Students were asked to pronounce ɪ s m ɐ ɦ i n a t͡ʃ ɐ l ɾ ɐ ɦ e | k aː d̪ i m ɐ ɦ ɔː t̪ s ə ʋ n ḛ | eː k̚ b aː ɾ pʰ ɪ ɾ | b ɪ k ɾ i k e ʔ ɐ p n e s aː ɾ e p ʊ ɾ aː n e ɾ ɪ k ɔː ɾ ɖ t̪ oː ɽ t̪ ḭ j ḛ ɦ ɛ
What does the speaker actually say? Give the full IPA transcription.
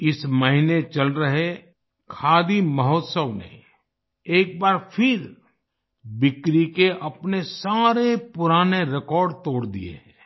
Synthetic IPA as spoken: ɪ s m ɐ ɦ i n e t͡ʃ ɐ l ɾ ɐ ɦ e | kʰ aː d̪ i m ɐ ɦ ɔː t̪ s ə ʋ n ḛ | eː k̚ b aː ɾ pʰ ɪ ɾ | b ɪ k ɾ i k e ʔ ɐ p n e s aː ɾ e p ʊ ɾ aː n e ɾ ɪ k ɔː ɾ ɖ t̪ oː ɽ d̪ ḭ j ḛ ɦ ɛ